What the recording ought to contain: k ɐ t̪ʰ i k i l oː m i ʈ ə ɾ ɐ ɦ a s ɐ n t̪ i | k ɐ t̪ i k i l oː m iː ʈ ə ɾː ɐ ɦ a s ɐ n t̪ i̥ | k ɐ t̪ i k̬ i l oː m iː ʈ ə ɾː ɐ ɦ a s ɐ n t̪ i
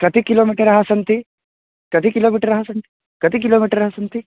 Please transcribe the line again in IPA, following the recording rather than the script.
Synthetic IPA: k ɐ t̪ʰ i k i l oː m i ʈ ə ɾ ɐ ɦ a s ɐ n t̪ i | k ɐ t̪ i k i l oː m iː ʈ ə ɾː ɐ ɦ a s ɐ n t̪ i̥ | k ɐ t̪ i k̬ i l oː m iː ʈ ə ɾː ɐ ɦ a s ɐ n t̪ i